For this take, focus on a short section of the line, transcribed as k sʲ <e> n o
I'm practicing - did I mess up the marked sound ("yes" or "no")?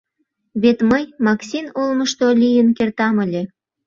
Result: yes